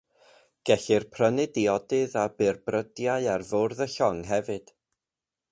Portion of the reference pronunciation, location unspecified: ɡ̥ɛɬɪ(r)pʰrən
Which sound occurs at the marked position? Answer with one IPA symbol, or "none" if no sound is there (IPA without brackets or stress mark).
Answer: r